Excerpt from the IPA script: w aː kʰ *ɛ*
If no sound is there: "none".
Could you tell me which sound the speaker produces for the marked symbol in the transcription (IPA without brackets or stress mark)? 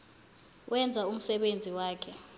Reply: ɛ